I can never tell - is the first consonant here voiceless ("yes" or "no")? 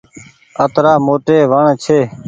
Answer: yes